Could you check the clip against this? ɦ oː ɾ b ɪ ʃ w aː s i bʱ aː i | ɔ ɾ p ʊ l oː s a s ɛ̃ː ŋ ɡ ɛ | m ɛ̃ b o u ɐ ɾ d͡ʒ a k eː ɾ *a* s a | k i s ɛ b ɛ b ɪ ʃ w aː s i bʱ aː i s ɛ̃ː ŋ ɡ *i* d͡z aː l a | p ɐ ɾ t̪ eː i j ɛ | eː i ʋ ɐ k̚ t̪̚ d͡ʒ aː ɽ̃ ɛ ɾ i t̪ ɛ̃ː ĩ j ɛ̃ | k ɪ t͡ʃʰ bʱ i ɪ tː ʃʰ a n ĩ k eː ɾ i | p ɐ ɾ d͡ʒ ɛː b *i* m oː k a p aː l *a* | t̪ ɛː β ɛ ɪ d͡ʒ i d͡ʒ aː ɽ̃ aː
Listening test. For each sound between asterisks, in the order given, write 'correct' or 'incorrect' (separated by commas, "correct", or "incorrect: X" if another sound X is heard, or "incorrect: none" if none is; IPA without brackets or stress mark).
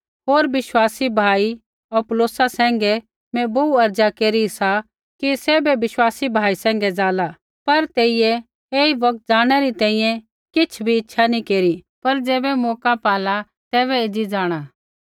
incorrect: i, incorrect: ɛ, incorrect: ɛ, correct